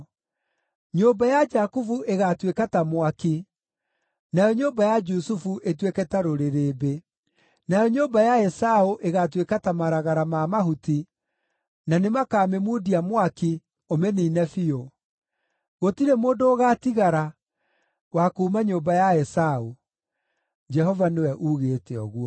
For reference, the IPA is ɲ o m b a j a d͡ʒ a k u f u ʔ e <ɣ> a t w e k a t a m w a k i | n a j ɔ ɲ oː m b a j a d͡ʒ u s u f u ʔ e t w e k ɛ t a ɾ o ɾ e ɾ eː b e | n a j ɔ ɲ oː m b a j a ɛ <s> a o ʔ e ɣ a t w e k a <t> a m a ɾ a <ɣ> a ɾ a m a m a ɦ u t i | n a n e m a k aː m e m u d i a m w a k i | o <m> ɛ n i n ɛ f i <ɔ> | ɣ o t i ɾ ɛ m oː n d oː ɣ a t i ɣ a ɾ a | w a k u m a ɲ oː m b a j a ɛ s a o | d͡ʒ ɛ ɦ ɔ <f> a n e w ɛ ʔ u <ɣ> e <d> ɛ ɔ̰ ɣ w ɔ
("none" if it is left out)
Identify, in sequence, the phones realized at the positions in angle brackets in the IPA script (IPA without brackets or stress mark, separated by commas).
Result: ɣ, s, t, ɣ, m, o, v, ɣ, t